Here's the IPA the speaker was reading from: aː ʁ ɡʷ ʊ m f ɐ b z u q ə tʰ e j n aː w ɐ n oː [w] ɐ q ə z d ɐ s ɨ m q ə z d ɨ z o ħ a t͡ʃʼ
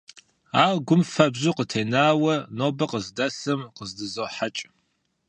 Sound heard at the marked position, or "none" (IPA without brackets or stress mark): b